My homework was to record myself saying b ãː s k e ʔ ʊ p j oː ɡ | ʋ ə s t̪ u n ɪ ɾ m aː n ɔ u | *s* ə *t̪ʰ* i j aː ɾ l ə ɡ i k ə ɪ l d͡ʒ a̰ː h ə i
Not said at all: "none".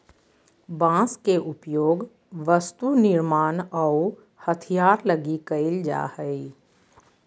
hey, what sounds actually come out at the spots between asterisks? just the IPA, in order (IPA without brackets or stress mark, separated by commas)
h, t̪ʰ